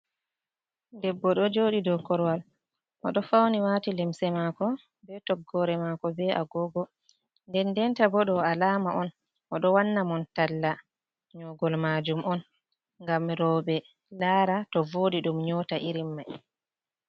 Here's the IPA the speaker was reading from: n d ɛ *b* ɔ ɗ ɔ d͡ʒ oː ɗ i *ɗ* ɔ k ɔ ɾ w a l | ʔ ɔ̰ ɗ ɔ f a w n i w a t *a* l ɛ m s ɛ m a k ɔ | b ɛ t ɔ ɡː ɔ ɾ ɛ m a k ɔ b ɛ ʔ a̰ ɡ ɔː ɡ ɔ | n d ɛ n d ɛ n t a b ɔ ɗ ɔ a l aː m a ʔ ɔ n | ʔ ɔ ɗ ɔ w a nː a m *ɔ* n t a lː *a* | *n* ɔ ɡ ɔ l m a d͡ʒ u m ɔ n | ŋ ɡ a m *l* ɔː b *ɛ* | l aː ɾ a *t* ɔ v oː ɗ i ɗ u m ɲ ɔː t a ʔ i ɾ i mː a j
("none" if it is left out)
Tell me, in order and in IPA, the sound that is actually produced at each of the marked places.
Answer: bː, d, i, ɔ, a, ɲ, ɾ, ɛ, t

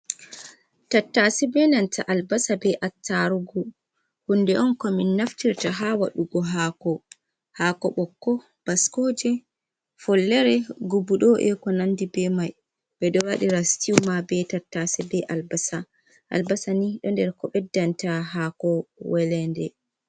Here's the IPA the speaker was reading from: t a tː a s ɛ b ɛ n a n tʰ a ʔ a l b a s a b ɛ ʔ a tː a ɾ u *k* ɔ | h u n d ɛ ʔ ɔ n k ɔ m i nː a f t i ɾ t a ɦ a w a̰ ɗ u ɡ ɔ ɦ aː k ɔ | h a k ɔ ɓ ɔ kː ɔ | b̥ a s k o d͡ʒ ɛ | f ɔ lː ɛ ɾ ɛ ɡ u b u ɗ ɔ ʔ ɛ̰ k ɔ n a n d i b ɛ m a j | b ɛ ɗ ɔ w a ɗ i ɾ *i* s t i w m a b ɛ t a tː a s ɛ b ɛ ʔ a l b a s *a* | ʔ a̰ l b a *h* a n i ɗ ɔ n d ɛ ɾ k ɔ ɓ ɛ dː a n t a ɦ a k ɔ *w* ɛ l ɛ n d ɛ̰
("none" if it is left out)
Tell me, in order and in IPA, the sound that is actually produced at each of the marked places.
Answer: ɡ, a, a, s, w

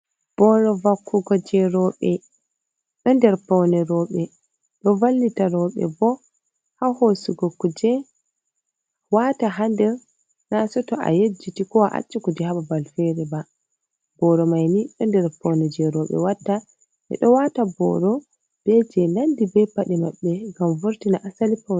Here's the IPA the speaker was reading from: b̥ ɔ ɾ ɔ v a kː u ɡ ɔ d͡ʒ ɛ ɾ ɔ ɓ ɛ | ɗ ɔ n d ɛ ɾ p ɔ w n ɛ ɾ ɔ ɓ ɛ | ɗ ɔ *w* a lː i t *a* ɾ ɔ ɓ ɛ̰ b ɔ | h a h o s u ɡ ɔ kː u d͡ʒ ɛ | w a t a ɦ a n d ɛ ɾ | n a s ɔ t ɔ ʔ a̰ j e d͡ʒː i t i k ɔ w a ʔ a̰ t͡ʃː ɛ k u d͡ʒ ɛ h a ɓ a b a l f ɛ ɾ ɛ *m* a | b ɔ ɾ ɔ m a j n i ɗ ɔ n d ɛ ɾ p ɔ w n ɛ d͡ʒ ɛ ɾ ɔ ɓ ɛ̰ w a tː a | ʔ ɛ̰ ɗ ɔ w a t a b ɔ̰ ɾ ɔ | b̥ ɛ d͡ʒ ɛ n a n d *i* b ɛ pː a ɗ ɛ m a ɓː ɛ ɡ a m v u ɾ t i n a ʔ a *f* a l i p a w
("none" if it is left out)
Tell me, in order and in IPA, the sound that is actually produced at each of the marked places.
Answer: v, a, b, i, s

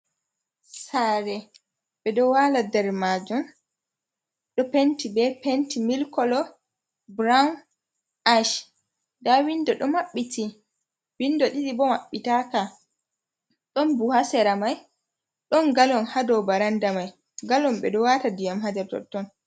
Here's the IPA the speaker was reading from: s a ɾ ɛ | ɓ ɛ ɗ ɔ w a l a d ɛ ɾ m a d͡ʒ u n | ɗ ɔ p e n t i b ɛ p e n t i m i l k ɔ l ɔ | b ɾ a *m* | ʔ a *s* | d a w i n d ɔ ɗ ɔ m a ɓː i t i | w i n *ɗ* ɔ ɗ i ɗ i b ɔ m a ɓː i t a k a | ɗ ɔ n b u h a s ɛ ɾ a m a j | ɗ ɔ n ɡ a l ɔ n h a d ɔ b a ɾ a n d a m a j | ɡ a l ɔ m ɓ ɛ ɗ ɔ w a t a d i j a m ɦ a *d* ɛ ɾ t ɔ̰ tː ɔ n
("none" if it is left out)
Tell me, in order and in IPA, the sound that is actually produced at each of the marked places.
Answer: n, ʃ, d, d

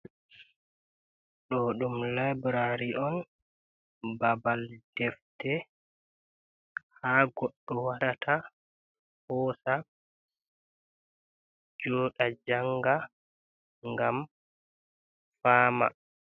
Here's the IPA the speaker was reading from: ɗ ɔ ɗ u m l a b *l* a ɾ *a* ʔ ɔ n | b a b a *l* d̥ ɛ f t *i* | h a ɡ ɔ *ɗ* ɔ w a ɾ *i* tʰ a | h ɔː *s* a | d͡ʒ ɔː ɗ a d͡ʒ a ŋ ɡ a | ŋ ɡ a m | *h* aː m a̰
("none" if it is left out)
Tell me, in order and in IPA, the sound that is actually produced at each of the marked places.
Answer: ɾ, i, l, ɛ, ɗː, a, s, f

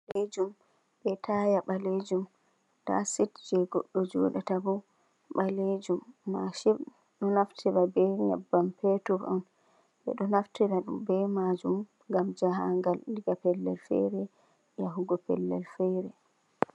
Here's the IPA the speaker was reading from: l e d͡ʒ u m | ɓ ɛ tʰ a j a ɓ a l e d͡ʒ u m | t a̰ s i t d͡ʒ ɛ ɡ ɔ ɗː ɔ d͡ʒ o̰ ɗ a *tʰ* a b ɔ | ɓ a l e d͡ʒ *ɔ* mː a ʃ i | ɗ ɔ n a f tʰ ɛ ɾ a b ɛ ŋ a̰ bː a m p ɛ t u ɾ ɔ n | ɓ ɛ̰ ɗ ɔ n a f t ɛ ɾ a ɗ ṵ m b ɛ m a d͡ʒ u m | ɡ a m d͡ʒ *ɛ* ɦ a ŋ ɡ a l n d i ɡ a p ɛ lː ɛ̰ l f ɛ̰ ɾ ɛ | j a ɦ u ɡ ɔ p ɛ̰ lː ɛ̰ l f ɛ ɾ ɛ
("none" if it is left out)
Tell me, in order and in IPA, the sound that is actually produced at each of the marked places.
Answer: t, u, a

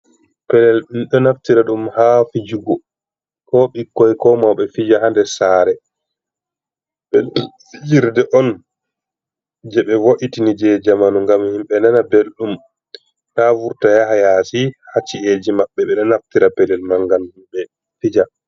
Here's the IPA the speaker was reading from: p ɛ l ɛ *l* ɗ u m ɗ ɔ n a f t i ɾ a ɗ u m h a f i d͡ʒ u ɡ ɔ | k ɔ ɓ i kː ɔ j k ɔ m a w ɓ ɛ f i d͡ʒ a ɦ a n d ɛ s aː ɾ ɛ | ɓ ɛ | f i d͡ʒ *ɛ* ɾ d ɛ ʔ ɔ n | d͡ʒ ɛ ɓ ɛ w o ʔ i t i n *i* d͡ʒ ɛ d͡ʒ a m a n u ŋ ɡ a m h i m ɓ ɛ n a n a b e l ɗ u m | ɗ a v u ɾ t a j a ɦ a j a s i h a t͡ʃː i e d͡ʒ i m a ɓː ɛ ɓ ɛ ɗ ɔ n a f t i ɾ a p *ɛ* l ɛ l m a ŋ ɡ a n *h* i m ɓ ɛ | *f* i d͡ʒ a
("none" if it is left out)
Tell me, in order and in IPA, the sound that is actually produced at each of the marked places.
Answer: l, i, i, ɛ, h, f

